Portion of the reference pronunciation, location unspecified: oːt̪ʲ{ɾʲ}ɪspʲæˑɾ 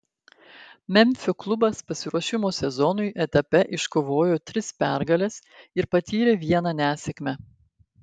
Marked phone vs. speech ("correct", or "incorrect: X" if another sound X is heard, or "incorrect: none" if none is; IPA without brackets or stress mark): correct